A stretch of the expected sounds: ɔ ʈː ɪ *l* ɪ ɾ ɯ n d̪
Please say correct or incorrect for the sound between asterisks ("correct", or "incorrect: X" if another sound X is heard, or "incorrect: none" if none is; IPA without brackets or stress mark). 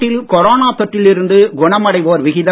correct